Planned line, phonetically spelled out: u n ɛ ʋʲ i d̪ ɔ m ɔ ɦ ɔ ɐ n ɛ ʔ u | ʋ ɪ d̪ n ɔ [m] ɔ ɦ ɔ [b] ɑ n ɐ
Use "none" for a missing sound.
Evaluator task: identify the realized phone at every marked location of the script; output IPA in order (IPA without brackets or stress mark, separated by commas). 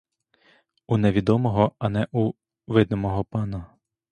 m, p